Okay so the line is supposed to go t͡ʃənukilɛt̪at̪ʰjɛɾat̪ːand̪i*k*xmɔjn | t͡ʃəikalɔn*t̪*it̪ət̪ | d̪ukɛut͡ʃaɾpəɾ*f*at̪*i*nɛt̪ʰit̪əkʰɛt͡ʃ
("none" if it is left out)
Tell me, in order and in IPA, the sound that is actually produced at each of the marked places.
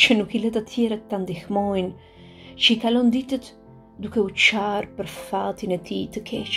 none, d̪, f, i

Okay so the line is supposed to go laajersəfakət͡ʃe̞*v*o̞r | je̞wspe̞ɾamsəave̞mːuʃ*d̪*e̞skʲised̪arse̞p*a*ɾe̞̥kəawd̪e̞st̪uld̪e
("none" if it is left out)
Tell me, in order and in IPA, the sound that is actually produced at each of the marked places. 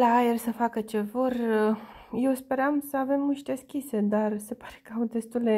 v, t̪, a

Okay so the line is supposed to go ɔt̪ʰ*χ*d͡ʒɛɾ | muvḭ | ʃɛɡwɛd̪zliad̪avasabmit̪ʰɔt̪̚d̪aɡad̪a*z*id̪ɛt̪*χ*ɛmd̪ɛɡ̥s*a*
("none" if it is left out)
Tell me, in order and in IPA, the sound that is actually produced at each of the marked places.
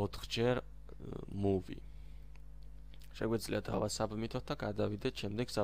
χ, v, ʃ, a

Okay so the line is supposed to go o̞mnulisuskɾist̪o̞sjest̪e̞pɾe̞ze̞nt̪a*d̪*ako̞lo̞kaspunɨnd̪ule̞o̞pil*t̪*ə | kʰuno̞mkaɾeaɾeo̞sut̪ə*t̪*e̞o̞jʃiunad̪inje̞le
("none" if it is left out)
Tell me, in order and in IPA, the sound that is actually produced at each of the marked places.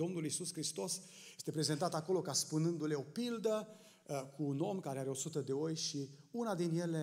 t̪, d̪, d̪

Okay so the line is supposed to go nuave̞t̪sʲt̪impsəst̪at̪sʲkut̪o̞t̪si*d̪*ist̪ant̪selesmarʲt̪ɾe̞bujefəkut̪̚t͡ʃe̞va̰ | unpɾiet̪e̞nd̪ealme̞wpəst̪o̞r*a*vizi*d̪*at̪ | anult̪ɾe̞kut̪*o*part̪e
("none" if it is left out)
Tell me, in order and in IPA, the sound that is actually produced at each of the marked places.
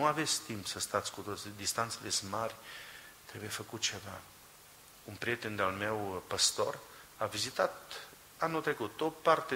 d̪, a, t̪, o

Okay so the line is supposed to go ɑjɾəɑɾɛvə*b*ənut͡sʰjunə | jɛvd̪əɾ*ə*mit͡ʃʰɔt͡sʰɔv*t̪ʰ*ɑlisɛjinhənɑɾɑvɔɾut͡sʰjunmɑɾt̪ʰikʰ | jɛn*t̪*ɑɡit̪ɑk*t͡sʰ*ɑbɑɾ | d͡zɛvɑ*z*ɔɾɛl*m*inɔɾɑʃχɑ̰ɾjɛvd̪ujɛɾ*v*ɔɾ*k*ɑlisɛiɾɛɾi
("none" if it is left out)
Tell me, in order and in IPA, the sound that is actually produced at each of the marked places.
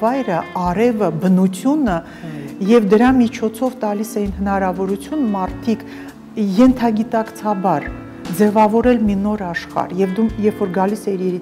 b, ɑ, t̪, t̪ʰ, t͡sʰ, v, m, f, ɡ

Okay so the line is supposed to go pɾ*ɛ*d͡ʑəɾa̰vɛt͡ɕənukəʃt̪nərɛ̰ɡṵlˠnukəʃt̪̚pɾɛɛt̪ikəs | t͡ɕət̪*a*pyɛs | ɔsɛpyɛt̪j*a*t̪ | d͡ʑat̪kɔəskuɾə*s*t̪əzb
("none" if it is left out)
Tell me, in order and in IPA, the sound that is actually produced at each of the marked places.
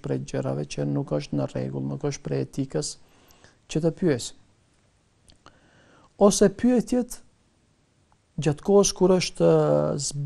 ɛ, ə, ɛ, ʃ

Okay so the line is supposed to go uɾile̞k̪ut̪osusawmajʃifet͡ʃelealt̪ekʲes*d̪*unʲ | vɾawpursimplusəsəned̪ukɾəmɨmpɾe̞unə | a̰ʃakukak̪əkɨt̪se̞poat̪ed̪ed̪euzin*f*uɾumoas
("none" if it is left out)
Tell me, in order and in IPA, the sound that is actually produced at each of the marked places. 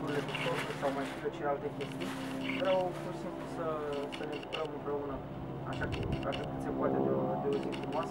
t̪, f

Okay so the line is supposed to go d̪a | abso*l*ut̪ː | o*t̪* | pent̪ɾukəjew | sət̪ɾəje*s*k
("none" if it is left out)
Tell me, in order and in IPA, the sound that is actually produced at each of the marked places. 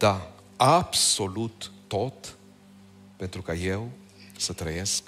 l, t̪, s

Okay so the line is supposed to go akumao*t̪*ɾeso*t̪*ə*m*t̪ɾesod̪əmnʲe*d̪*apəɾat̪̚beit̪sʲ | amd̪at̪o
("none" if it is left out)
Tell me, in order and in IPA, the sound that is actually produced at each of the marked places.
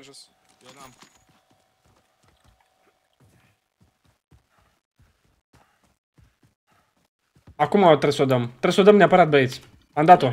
t̪, d̪, m, none

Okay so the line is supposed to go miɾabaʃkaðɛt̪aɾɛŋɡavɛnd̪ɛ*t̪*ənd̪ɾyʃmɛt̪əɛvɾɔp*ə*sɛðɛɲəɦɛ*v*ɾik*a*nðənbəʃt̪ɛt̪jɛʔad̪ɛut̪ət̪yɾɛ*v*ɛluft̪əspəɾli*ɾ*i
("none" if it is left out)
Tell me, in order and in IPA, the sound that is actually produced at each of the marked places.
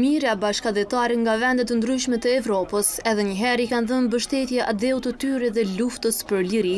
t̪, ə, none, a, ð, ɾ

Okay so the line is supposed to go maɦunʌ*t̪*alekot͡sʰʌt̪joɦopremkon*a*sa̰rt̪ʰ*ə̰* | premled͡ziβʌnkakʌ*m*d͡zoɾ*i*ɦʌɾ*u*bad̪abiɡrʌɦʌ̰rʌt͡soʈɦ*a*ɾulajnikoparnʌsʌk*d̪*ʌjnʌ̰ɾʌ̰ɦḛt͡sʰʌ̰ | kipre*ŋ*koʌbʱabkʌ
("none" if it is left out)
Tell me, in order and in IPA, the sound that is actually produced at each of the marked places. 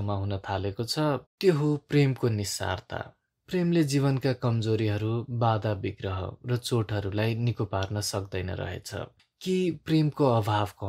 t̪ʰ, i, a̰, m, i, u, ʌ, d̪, m

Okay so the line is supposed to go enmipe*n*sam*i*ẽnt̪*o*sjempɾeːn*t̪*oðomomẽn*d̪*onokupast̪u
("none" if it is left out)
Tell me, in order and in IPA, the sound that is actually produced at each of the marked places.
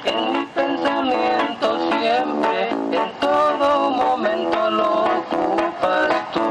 n, j, o, t̪, t̪

